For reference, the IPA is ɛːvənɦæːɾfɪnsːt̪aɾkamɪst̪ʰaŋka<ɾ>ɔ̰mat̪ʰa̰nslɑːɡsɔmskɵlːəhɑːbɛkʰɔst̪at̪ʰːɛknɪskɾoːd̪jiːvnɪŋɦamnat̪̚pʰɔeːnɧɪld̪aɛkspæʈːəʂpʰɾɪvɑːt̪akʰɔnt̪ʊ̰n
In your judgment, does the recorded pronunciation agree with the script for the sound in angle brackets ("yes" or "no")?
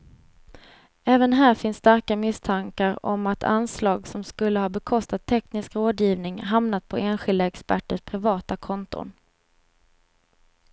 yes